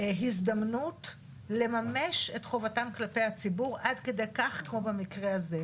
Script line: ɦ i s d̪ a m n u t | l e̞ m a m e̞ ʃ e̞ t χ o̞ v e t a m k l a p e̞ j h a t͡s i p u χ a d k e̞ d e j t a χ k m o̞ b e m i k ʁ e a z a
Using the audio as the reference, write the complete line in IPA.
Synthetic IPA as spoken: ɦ i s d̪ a m n u t | l e̞ m a m e̞ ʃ e̞ t χ o̞ v a t a m k l a p e̞ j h a t͡s i b u ʁ a d k e̞ d e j k a χ k m o̞ b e m i k ʁ e a z e